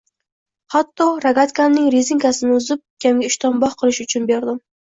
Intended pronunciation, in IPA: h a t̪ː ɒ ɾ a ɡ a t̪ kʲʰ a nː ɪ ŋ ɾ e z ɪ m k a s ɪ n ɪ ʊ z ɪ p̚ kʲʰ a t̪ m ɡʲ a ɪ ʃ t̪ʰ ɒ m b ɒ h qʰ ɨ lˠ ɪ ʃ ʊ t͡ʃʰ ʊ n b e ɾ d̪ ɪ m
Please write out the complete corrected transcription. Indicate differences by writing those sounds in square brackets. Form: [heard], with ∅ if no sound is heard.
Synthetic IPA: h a t̪ː ɒ ɾ a ɡ a t̪ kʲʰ a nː ɪ ŋ ɾ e z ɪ [ŋ] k a s ɪ n ɪ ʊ z ɪ p̚ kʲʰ a [∅] m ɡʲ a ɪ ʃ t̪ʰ ɒ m b ɒ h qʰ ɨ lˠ ɪ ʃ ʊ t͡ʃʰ ʊ n b e ɾ d̪ ɪ m